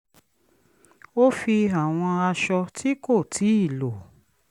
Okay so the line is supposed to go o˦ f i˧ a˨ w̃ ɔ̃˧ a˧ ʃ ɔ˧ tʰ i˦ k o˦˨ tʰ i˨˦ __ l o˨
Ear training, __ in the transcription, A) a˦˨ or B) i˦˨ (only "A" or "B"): B